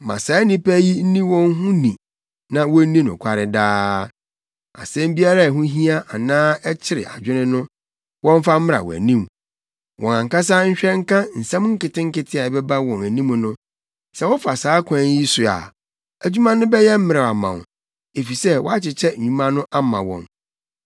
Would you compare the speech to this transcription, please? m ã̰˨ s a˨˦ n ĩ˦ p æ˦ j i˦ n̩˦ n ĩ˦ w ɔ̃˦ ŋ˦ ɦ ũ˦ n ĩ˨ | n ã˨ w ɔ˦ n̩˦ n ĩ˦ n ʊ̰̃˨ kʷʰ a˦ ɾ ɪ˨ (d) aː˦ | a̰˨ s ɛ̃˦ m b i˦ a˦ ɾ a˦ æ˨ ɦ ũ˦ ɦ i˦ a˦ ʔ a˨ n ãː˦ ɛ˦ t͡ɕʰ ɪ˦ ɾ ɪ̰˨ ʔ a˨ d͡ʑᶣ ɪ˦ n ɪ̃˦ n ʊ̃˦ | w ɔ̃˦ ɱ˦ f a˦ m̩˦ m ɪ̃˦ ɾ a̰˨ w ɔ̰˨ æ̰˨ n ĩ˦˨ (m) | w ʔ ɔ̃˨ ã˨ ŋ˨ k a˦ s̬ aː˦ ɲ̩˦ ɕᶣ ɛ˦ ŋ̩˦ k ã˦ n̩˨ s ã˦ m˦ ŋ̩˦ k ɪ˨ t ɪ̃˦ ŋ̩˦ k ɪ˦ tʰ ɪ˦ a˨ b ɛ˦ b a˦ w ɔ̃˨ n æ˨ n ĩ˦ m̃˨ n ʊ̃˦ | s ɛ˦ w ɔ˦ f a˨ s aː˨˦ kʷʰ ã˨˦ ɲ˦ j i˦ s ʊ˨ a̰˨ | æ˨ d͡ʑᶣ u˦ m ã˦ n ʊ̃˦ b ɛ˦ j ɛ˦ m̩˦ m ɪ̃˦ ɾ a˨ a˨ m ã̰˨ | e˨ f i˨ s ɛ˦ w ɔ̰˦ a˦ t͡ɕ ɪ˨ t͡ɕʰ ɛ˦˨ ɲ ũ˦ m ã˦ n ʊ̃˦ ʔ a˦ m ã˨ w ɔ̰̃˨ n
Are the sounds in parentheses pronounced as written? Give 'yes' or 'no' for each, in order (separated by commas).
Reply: yes, yes